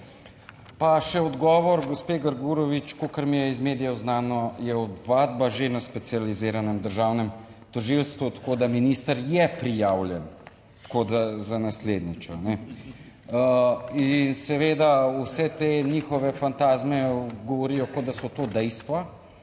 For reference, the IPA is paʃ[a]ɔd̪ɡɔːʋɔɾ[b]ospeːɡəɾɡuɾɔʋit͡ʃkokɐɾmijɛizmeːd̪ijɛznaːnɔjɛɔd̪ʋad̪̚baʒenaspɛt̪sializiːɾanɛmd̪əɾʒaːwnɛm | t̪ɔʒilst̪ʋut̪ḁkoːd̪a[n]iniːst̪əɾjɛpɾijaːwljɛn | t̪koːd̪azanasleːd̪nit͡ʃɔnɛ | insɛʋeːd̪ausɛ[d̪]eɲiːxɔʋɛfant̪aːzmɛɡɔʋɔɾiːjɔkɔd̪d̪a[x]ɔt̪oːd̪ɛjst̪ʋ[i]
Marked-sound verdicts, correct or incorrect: incorrect, incorrect, incorrect, incorrect, incorrect, incorrect

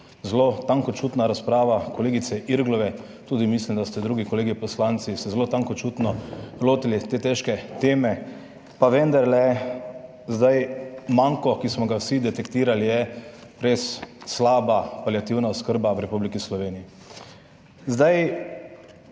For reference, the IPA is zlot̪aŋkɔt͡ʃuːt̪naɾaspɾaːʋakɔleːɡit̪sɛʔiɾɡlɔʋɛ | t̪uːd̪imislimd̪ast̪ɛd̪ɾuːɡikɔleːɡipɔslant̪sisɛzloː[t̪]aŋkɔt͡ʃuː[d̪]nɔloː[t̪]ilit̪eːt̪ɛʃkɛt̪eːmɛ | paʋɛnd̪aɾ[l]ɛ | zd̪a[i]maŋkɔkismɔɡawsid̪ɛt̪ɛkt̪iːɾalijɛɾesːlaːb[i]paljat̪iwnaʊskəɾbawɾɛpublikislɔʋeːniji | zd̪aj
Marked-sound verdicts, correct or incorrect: correct, incorrect, correct, correct, incorrect, incorrect

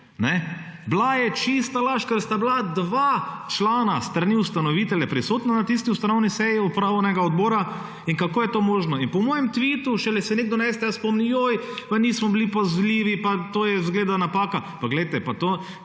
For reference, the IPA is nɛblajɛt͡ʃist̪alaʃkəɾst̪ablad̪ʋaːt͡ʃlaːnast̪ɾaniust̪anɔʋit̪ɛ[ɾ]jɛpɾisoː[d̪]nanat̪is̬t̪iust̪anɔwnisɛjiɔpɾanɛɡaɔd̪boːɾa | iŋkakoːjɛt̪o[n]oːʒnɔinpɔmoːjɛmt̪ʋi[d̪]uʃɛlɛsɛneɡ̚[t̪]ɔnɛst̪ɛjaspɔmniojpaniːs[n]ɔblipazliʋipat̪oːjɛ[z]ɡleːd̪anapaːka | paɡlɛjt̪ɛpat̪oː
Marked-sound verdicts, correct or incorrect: incorrect, incorrect, incorrect, incorrect, incorrect, incorrect, correct

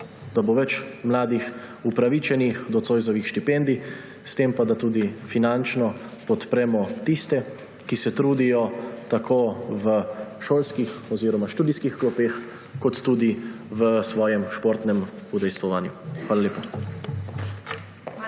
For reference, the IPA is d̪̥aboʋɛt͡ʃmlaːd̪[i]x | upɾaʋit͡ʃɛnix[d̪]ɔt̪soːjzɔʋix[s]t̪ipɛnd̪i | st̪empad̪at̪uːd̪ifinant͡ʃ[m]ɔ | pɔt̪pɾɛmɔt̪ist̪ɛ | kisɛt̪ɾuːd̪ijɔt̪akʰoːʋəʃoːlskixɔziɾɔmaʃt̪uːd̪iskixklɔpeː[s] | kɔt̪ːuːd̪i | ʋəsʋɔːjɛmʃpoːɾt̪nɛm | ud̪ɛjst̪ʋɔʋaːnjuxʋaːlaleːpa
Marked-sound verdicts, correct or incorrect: correct, correct, incorrect, incorrect, incorrect

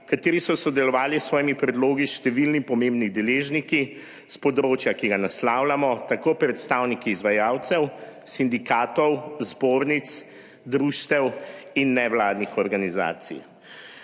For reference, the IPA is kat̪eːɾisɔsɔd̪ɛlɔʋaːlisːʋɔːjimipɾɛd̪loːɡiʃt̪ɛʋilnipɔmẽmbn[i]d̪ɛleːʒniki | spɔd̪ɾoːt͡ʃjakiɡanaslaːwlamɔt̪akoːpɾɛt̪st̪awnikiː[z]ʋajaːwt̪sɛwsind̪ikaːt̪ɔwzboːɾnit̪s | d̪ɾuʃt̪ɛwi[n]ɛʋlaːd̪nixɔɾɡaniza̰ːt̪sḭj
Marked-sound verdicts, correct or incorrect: correct, correct, incorrect

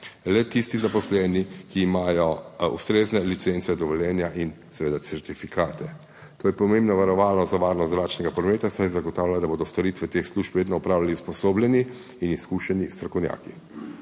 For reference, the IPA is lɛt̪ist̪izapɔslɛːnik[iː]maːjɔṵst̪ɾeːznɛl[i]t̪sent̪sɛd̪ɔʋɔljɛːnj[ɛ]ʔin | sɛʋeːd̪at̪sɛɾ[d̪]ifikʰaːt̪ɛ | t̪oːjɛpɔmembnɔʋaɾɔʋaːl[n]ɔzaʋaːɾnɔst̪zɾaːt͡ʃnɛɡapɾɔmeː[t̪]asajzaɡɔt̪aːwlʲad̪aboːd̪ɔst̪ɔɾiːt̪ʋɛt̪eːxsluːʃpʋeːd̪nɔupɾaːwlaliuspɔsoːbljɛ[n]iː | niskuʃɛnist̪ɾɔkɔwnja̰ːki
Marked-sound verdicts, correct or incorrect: correct, correct, incorrect, incorrect, correct, correct, correct

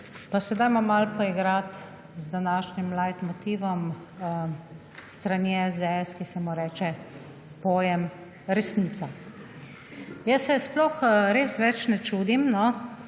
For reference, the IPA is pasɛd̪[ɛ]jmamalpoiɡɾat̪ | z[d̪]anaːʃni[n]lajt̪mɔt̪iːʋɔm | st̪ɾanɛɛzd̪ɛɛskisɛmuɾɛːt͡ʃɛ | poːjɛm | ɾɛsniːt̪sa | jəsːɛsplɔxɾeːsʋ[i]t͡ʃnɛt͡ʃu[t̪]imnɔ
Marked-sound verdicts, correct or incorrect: incorrect, correct, incorrect, incorrect, incorrect

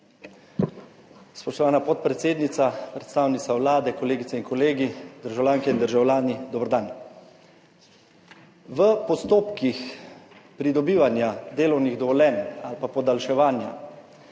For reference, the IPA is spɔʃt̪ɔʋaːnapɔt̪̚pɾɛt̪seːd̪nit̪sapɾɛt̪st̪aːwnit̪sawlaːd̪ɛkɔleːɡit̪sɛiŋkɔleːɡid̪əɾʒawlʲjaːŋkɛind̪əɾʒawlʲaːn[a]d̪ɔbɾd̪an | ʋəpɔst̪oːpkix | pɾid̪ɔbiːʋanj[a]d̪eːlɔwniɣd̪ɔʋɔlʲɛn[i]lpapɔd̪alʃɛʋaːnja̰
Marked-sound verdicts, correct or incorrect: incorrect, correct, incorrect

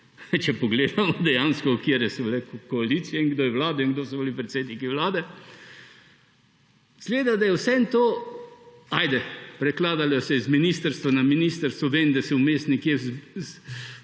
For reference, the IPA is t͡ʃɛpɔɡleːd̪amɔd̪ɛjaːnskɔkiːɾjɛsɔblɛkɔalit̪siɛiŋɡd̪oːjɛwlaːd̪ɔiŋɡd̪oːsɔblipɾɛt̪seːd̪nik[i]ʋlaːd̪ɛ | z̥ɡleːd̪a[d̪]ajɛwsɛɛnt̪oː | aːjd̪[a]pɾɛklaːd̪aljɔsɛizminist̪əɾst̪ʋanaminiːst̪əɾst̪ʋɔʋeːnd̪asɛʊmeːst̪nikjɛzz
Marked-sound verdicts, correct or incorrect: correct, correct, incorrect

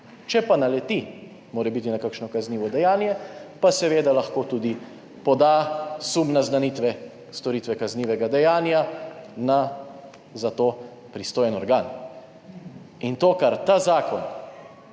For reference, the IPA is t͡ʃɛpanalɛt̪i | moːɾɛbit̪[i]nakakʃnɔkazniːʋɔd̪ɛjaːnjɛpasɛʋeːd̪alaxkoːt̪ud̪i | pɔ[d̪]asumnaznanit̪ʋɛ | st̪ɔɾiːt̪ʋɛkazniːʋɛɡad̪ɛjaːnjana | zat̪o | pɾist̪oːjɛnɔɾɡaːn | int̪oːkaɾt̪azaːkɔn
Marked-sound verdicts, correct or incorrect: correct, correct

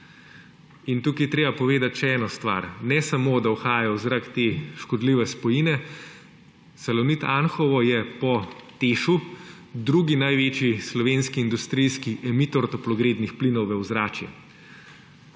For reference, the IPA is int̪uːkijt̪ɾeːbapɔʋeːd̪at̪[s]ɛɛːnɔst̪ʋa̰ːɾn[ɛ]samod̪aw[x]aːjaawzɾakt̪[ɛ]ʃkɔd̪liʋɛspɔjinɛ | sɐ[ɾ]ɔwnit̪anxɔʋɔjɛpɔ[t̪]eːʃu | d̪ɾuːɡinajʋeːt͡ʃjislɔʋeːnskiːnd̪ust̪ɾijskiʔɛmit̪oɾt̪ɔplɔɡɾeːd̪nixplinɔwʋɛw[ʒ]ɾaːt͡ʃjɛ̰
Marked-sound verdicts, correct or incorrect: incorrect, correct, correct, incorrect, incorrect, correct, incorrect

